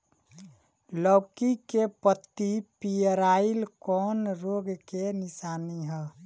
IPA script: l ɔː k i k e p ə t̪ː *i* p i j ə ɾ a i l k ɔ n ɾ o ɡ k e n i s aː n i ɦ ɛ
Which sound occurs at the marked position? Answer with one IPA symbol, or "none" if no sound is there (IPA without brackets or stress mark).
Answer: i